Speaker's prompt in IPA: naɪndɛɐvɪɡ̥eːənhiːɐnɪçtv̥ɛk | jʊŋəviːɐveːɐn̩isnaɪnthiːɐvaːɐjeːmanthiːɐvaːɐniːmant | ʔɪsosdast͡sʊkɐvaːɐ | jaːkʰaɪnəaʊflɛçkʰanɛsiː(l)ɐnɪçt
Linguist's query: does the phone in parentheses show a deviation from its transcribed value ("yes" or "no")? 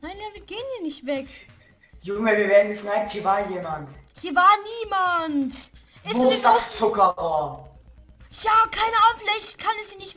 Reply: yes